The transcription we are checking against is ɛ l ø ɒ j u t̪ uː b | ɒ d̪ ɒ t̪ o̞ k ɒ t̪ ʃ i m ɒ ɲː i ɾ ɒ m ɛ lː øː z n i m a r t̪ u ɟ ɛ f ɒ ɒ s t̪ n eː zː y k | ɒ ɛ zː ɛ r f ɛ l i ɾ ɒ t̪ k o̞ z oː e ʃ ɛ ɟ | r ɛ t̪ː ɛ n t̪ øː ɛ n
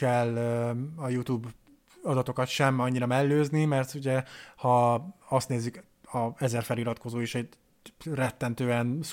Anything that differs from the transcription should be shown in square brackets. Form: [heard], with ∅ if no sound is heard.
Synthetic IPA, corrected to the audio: ɛ l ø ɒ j u t̪ uː b | ɒ d̪ ɒ t̪ o̞ k ɒ t̪ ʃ [ɛ] m ɒ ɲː i ɾ ɒ m ɛ lː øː z n i m [ɛ] r t̪ u ɟ ɛ [h] ɒ ɒ s t̪ n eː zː y k | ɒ ɛ [z] ɛ r f ɛ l i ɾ ɒ t̪ k o̞ z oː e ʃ ɛ ɟ | r ɛ t̪ː ɛ n t̪ øː ɛ n